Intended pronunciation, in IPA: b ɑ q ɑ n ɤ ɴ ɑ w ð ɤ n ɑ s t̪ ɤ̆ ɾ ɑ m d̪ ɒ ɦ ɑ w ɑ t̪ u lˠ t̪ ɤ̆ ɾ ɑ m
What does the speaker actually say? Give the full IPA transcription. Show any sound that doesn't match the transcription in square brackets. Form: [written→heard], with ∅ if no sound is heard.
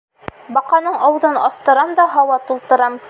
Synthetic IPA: b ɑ q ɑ n ɤ ɴ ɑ w ð ɤ n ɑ s t̪ ɤ̆ ɾ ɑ m d̪ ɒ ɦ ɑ w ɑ t̪ u lˠ t̪ ɤ̆ ɾ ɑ m